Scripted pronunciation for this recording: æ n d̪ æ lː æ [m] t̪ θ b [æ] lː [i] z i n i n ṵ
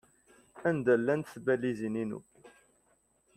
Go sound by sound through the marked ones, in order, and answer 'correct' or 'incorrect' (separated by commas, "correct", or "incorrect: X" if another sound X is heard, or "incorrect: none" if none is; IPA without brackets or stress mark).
incorrect: n, correct, correct